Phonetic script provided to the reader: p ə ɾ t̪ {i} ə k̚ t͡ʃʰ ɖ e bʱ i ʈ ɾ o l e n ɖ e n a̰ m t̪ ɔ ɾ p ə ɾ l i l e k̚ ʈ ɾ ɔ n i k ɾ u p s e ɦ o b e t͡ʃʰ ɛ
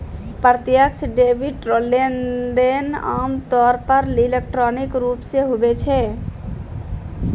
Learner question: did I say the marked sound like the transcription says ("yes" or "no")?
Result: no